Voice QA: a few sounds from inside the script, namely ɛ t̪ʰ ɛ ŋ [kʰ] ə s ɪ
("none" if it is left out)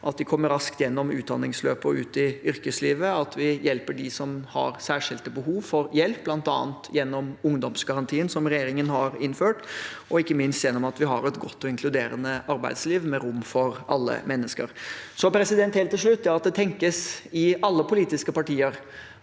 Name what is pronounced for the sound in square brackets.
k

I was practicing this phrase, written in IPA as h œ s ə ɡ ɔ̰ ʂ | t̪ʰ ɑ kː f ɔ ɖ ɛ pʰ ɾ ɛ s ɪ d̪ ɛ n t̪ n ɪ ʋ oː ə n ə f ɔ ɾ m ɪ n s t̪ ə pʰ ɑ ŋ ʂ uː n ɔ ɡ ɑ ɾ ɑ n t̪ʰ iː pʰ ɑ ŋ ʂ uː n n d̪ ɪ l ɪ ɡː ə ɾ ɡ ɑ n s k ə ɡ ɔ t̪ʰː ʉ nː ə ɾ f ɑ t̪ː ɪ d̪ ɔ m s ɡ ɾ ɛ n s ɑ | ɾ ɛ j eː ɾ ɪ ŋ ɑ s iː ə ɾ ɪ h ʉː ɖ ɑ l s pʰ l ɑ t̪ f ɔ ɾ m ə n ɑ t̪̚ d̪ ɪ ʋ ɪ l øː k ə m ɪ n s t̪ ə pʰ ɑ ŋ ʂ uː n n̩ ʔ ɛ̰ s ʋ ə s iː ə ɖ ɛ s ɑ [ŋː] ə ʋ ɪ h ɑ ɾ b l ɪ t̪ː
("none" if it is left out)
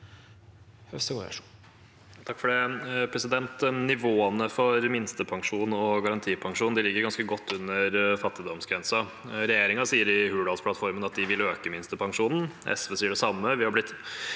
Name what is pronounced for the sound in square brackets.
mː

